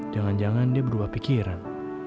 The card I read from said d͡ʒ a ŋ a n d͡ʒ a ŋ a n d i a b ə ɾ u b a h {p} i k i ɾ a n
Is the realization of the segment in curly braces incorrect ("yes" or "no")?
no